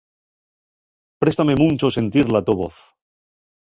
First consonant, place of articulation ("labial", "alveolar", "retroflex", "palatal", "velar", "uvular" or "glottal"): labial